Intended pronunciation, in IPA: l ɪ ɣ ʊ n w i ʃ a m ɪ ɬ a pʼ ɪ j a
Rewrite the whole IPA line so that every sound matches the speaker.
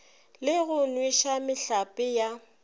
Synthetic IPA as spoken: l ɪ ɣ ʊ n w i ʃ a m ɪ ɬ a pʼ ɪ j a